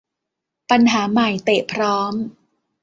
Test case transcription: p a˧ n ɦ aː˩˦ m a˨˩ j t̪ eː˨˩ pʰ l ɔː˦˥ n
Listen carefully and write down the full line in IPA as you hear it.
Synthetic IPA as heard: p a˧ n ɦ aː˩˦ m a˨˩ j t̪ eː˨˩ pʰ ɾ ɔː˦˥ m

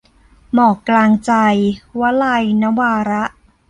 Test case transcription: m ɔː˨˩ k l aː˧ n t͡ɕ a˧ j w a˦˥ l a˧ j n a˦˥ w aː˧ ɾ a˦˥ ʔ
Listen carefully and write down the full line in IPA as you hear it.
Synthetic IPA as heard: m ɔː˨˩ k l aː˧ ŋ t͡ɕ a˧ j w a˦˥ l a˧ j n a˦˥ w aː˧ ɾ a˦˥ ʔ

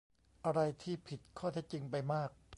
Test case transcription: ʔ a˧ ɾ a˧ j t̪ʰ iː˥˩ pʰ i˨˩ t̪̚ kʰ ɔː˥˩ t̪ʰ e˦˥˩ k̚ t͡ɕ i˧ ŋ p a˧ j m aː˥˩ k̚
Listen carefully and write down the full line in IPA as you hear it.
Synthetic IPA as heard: ʔ a˧ ɾ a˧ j t̪ʰ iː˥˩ pʰ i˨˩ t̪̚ kʰ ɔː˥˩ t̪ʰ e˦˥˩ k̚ t͡ɕ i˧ ŋ p a˧ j m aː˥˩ k̚

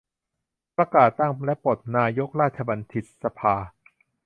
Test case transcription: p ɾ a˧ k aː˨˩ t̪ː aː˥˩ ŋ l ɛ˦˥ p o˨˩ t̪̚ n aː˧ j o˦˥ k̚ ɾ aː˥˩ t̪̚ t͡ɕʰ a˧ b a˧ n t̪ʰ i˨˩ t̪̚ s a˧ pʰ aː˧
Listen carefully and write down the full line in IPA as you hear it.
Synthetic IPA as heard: p ɾ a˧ k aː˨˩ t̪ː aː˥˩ ŋ l ɛ˦˥ p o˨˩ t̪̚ n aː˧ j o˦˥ k̚ ɾ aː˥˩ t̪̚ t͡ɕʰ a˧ b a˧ n t̪ʰ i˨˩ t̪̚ s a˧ pʰ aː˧

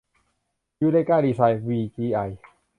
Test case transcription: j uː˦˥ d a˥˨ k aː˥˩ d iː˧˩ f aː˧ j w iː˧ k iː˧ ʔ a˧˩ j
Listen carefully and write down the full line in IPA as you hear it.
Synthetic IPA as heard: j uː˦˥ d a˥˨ k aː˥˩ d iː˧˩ s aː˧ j w iː˧ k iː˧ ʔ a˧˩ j

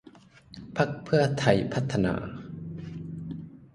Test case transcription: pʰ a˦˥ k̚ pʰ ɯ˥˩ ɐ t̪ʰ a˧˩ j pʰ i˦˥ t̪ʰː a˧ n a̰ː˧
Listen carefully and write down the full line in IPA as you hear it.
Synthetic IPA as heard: pʰ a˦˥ k̚ pʰ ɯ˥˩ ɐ t̪ʰ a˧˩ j pʰ a˦˥ t̪ʰː a˧ n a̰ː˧

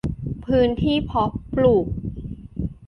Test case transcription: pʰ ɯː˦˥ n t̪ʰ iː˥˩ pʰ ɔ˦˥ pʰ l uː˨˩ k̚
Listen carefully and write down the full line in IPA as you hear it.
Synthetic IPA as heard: pʰ ɯː˦˥ n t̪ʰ iː˥˩ pʰ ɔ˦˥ p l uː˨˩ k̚

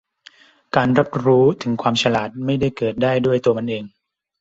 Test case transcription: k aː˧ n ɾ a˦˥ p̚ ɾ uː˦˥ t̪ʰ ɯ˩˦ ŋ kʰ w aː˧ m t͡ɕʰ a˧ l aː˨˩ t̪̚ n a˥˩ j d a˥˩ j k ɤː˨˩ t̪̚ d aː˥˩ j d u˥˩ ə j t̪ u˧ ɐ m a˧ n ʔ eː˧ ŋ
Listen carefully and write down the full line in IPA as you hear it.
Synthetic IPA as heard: k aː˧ n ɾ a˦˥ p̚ ɾ uː˦˥ t̪ʰ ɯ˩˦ ŋ kʰ w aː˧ m t͡ɕʰ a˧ l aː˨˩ t̪̚ m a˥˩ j d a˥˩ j k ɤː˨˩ t̪̚ d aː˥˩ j d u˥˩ ə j t̪ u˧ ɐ m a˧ n ʔ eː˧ ŋ

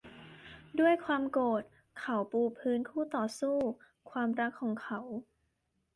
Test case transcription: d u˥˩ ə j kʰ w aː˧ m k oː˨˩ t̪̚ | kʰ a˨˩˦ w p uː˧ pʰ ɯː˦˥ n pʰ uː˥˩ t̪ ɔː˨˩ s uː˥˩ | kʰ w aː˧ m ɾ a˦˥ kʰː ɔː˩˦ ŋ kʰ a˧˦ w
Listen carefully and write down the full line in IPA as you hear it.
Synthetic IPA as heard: d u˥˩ ə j kʰ w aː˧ m k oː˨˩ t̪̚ | kʰ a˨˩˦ w p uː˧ pʰ ɯː˦˥ n kʰ uː˥˩ t̪ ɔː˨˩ s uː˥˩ | kʰ w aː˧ m ɾ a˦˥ kʰː ɔː˩˦ ŋ kʰ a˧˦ w

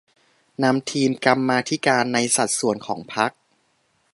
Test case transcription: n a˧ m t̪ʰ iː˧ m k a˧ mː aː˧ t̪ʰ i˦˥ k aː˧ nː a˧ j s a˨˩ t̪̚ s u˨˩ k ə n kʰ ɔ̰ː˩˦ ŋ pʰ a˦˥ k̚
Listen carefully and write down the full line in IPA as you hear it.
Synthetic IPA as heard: n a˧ m t̪ʰ iː˧ m k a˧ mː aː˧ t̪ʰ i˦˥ k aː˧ nː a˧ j s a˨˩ t̪̚ s u˨˩ ə n kʰ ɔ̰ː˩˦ ŋ pʰ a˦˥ k̚

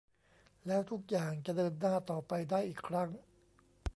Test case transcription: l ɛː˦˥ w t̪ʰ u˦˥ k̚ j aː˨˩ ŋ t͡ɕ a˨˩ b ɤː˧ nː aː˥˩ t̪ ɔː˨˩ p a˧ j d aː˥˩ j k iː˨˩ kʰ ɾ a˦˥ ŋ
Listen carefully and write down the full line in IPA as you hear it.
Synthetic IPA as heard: l ɛː˦˥ w t̪ʰ u˦˥ k̚ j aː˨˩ ŋ t͡ɕ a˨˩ d ɤː˧ nː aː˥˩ t̪ ɔː˨˩ p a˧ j d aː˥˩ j ʔ iː˨˩ kʰ ɾ a˦˥ ŋ

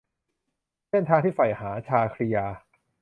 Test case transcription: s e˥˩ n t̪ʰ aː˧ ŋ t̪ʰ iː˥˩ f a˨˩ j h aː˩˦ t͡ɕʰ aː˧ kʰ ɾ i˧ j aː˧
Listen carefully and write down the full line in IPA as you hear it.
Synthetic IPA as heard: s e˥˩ n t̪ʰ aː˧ ŋ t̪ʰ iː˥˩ f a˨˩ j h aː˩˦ t͡ɕʰ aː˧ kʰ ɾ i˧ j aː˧

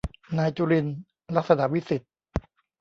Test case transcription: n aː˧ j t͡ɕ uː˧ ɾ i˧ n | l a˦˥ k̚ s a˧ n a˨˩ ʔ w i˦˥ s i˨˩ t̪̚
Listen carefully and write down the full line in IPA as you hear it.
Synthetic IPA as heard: n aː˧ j t͡ɕ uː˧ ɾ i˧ n | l a˦˥ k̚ s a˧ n a˨˩ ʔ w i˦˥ s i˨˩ t̪̚

